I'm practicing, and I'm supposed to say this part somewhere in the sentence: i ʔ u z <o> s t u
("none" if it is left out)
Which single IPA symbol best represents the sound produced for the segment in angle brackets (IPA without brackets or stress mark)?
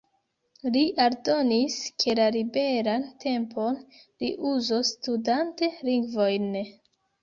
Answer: o